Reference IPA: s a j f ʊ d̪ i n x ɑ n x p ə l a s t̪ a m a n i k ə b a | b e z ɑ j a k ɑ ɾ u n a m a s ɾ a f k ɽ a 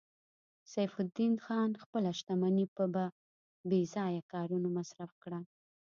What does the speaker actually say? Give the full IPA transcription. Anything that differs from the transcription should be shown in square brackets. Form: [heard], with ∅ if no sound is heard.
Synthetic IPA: s a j f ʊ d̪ i n x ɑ n x p ə l a [ʃ] t̪ a m a n i [p] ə b a | b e z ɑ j a k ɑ ɾ u n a m a s ɾ a f k ɽ a